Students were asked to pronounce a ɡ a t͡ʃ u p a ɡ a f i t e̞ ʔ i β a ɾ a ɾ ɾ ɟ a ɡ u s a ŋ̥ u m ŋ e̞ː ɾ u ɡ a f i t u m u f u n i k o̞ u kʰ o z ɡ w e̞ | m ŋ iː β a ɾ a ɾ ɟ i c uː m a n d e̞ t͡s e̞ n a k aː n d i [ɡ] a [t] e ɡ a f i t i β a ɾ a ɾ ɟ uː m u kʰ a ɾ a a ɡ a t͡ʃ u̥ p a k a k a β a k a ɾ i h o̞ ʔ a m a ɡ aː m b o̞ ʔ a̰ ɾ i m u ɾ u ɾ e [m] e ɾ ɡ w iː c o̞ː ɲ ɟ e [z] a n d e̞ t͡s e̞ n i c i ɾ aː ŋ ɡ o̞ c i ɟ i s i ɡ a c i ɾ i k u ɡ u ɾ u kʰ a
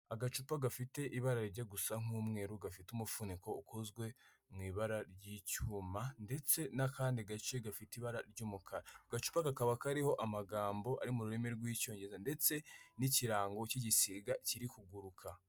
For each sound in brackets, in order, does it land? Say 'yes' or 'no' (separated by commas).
yes, no, yes, yes